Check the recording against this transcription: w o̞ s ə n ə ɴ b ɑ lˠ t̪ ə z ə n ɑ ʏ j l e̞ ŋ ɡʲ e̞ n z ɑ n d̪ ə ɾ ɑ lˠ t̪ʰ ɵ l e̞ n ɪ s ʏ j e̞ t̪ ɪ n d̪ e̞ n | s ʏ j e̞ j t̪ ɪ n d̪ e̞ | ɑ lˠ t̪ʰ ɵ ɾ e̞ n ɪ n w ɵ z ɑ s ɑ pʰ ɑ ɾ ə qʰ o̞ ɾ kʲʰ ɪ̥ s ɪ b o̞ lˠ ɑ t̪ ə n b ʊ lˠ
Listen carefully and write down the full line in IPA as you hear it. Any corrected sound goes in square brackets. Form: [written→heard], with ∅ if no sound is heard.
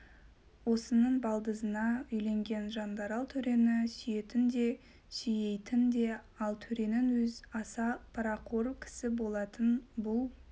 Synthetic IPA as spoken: w o̞ s ə n ə ɴ b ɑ lˠ [t̪→d̪] ə z ə n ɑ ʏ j l e̞ ŋ ɡʲ e̞ n [z→ʒ] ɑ n d̪ [ə→ɑ] ɾ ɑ lˠ t̪ʰ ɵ [l→ɾ] e̞ n ɪ s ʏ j e̞ t̪ ɪ n d̪ e̞ [n→∅] | s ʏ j e̞ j t̪ ɪ n d̪ e̞ | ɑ lˠ t̪ʰ ɵ ɾ e̞ n ɪ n w ɵ z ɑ s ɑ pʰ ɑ ɾ [ə→ɑ] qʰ o̞ ɾ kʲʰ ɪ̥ s ɪ b o̞ lˠ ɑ t̪ ə n b ʊ lˠ